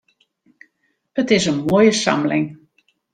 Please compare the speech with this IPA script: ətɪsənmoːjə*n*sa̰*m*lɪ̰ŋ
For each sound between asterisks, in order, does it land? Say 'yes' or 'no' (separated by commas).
no, yes